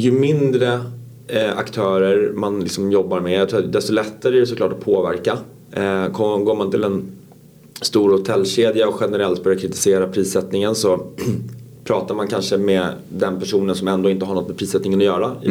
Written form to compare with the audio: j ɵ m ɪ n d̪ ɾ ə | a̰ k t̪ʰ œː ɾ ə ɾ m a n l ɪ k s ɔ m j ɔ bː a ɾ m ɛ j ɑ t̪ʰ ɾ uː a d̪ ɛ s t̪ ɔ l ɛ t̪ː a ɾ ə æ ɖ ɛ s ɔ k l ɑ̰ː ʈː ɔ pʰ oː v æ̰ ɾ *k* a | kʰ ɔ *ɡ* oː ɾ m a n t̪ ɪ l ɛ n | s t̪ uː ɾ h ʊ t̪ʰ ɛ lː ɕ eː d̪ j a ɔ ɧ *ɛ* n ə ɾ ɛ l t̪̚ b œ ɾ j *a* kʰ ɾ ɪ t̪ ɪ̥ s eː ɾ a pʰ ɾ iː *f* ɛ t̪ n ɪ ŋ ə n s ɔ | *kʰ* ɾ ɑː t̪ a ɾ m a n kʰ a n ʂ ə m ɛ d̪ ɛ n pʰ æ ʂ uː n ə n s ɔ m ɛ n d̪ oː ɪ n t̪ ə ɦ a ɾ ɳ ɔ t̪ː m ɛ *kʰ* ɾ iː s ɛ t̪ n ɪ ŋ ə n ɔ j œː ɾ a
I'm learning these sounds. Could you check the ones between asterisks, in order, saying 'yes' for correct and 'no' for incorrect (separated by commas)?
yes, yes, yes, yes, no, no, no